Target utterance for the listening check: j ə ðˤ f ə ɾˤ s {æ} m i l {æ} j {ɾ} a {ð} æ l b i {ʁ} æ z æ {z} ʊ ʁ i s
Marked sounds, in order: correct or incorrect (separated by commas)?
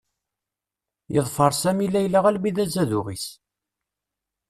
correct, correct, incorrect, incorrect, incorrect, incorrect